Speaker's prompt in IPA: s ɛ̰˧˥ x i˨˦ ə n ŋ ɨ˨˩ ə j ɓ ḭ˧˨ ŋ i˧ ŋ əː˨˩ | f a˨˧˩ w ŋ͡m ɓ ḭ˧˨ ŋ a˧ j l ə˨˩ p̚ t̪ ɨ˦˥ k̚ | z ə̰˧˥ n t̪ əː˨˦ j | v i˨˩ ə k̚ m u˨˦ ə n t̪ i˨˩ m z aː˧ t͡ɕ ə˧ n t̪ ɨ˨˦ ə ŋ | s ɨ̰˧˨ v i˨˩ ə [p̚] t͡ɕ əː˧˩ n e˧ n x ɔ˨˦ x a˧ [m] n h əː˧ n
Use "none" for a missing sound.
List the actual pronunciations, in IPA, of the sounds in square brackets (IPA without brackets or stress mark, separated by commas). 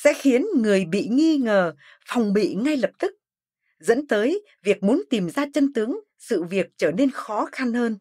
k̚, none